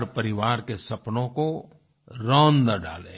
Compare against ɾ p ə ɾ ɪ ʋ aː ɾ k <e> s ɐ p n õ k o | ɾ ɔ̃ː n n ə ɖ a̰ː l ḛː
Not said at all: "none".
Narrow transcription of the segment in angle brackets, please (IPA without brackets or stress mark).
e